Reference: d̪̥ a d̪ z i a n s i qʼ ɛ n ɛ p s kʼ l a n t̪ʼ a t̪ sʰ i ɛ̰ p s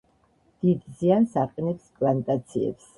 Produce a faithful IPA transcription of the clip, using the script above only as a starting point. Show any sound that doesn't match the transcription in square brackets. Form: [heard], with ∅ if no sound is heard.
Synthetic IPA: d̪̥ [i] d̪ z i a n s [a] qʼ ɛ n ɛ p s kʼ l a n t̪ʼ a t̪ sʰ i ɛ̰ p s